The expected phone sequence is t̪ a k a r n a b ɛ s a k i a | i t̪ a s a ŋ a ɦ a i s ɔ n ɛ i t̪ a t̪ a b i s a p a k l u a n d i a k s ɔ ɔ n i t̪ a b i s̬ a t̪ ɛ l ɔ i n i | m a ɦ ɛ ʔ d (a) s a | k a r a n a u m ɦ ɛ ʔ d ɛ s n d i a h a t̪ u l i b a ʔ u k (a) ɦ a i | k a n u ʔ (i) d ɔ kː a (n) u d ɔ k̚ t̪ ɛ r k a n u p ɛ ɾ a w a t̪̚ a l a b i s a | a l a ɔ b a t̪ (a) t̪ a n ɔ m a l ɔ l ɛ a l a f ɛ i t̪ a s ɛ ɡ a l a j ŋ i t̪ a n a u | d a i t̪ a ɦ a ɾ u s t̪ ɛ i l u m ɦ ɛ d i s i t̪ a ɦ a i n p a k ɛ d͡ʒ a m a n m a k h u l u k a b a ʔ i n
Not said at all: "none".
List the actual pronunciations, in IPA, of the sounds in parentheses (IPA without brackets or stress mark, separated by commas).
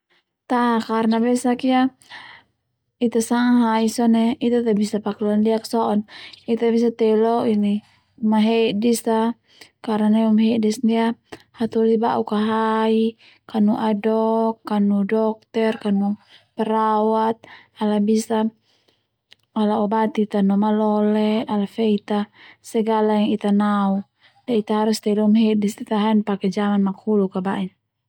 i, a, a, n, i